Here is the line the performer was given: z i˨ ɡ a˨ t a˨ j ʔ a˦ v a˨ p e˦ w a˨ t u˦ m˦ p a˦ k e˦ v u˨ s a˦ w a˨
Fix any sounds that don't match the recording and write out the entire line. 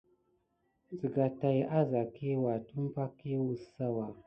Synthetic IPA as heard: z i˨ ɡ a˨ t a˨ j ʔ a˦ z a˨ k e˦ w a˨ t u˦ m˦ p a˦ k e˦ w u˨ s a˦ w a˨